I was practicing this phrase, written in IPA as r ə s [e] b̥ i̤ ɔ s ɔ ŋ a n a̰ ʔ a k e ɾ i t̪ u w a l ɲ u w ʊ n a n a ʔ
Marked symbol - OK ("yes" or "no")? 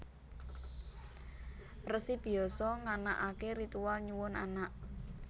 no